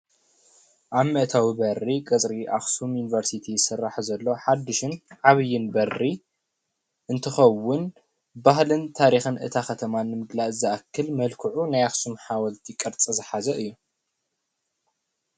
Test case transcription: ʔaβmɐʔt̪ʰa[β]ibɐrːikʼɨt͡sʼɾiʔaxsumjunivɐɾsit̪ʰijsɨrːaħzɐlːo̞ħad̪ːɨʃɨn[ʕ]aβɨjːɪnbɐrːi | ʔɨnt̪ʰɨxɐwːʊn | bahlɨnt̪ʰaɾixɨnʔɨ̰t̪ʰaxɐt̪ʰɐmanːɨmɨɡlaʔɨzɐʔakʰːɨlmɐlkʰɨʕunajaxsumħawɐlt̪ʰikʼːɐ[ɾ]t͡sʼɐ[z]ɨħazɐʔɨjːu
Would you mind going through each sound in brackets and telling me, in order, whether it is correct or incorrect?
incorrect: w, correct, correct, correct

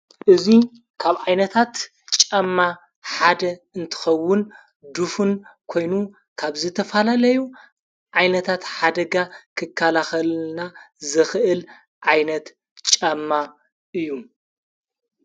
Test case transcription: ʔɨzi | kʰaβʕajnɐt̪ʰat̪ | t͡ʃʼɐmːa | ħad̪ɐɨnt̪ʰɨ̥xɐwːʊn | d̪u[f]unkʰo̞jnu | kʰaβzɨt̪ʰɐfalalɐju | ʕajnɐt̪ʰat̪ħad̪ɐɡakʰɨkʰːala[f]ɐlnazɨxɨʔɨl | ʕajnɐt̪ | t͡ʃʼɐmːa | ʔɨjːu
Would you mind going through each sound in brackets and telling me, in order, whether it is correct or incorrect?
correct, incorrect: x

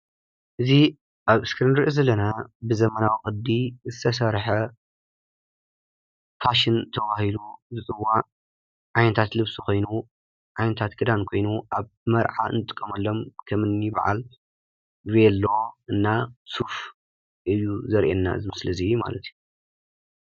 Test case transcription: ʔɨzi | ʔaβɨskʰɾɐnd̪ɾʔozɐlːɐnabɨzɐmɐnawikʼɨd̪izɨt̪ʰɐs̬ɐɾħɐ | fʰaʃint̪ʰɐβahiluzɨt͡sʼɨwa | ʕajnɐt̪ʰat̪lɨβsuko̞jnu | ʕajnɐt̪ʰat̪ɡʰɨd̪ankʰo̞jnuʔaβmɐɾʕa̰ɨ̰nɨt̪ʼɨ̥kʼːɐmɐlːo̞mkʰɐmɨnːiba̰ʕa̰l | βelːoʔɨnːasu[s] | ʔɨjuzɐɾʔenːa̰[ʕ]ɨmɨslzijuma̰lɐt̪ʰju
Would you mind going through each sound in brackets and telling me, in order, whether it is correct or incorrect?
incorrect: f, incorrect: z

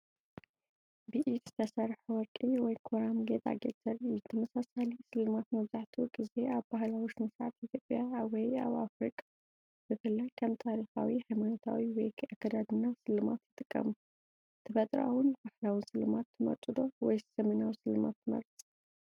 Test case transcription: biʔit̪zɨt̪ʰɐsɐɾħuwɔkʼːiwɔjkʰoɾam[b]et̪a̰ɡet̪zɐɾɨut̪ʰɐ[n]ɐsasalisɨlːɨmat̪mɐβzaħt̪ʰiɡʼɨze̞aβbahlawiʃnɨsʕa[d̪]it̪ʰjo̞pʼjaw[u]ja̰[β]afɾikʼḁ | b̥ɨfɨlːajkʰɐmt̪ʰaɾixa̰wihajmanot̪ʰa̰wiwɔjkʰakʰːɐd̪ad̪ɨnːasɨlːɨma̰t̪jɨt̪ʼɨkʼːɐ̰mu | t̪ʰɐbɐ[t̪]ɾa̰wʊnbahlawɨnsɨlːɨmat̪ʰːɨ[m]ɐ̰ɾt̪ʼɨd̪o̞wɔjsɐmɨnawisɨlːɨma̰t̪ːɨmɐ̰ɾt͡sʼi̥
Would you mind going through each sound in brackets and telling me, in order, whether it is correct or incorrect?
incorrect: ɡ, incorrect: m, incorrect: t̪, incorrect: ɔ, correct, incorrect: t̪ʼ, correct

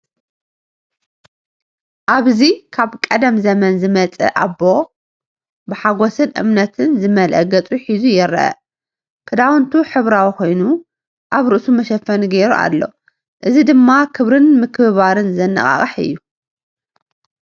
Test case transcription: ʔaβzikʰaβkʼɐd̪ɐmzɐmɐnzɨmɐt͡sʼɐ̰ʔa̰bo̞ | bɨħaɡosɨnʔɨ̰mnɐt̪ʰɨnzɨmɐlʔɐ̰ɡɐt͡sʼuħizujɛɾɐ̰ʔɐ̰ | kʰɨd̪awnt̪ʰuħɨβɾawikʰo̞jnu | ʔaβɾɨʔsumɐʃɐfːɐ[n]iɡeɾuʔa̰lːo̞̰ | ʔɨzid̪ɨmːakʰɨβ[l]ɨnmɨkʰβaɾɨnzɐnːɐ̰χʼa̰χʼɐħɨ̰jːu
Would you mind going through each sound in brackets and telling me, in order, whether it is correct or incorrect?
correct, incorrect: ɾ

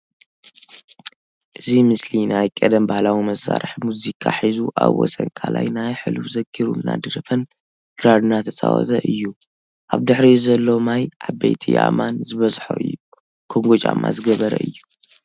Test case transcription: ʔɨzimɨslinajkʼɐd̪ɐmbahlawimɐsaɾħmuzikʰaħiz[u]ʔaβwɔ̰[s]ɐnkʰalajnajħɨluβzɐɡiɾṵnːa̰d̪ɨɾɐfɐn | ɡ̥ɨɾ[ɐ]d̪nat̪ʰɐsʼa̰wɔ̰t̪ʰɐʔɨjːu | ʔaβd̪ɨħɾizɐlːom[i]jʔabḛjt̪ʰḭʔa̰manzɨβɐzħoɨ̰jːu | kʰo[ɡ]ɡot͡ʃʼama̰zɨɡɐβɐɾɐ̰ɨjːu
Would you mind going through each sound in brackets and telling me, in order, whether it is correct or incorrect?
correct, correct, incorrect: a, incorrect: a, incorrect: ŋ

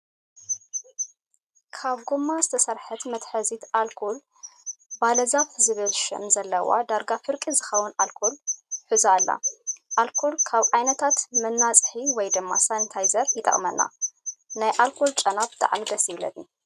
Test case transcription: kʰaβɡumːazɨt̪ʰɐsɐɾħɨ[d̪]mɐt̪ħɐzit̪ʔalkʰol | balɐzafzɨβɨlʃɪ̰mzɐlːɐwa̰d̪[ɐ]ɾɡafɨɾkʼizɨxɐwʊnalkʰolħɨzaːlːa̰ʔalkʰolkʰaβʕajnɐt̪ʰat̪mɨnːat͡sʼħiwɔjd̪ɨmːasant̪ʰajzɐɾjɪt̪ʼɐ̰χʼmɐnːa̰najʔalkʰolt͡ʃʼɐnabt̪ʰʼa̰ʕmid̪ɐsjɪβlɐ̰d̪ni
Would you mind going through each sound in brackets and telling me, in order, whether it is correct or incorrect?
incorrect: t̪, incorrect: a

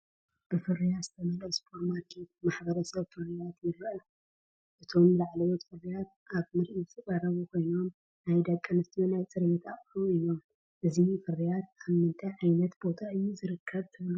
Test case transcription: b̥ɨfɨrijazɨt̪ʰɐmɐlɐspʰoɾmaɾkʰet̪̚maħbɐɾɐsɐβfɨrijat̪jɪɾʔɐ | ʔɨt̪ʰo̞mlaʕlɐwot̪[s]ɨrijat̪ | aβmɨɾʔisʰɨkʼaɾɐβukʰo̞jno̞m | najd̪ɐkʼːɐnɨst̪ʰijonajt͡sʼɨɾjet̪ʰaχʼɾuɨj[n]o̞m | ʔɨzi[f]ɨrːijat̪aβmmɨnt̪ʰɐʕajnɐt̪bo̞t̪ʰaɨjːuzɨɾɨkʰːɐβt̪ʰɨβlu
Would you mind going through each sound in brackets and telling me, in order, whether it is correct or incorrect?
incorrect: f, correct, correct

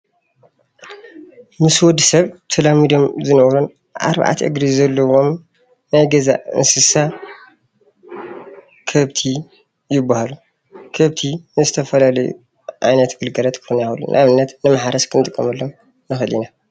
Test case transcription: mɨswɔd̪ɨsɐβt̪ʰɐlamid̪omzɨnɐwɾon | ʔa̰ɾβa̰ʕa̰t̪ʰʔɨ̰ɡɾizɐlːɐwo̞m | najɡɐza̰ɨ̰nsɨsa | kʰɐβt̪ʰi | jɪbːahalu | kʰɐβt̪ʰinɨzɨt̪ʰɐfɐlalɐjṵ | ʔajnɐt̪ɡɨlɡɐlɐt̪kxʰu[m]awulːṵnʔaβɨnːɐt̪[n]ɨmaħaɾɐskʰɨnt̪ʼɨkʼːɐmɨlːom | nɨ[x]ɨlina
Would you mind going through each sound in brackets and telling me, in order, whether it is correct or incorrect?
incorrect: n, correct, correct

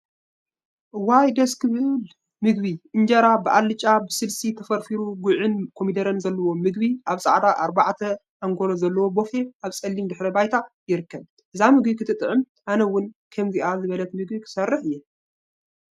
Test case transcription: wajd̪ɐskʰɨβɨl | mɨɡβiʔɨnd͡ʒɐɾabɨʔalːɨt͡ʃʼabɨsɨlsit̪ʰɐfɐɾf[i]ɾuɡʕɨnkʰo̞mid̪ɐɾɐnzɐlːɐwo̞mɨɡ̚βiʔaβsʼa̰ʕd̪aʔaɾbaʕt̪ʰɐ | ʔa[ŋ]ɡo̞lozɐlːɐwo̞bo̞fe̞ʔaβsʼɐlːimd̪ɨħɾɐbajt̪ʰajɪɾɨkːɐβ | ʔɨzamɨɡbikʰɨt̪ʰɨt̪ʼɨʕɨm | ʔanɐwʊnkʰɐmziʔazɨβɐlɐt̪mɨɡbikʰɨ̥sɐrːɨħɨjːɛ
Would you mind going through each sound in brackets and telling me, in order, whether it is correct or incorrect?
correct, correct

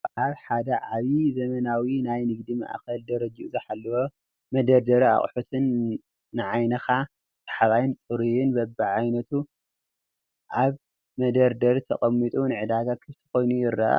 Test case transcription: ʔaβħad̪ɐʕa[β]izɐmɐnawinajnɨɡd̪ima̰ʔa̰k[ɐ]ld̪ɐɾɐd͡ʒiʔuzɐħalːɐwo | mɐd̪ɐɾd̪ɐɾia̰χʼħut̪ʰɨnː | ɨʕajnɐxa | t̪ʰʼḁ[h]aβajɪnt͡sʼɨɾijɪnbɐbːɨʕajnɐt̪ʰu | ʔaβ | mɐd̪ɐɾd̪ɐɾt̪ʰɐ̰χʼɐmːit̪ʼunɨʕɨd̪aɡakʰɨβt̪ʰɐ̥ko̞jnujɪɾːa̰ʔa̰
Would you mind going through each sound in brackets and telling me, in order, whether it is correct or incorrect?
correct, correct, incorrect: ħ

